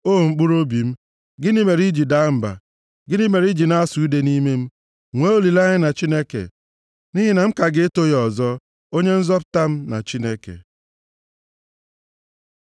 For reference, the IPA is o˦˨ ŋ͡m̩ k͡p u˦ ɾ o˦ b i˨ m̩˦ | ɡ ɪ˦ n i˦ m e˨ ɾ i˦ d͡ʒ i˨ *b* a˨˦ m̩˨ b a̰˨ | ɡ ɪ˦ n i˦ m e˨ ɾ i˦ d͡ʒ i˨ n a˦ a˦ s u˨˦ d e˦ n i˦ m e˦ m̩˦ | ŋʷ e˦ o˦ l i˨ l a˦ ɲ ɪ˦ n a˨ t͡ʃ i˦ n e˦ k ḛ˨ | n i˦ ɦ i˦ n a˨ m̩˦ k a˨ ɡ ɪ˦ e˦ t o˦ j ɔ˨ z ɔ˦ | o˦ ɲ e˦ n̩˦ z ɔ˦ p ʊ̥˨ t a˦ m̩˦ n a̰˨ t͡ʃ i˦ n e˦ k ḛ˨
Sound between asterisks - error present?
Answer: yes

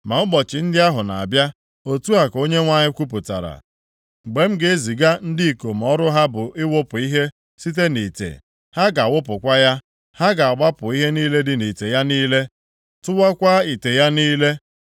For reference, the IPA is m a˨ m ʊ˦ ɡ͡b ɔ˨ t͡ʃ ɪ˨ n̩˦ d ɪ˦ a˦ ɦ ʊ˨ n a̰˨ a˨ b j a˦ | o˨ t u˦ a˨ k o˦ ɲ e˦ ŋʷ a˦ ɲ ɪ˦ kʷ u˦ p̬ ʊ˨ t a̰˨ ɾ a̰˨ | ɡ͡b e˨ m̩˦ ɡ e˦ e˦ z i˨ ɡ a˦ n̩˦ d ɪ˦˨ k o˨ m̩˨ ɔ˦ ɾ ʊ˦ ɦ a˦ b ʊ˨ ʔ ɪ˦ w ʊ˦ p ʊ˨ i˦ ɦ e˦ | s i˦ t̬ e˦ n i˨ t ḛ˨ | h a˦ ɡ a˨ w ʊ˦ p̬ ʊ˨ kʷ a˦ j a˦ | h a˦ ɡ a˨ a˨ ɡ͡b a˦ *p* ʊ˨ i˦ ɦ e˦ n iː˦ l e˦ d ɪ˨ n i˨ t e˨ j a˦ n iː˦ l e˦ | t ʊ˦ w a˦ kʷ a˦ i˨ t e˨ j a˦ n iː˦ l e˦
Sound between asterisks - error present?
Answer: no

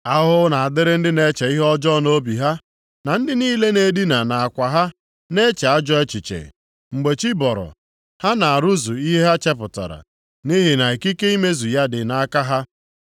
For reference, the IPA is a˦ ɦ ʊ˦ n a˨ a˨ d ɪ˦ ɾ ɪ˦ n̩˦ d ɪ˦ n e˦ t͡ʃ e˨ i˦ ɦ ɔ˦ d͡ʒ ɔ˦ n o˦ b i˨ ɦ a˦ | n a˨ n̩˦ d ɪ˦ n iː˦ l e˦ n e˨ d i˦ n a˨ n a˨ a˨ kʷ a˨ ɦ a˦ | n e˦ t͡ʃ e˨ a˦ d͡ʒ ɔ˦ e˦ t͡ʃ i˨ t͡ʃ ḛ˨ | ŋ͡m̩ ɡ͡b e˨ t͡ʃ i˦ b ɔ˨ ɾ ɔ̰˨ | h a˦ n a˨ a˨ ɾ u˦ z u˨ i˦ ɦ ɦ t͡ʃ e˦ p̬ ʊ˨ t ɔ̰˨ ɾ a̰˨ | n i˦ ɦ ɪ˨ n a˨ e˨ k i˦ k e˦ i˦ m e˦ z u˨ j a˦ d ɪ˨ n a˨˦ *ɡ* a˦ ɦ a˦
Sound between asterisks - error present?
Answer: yes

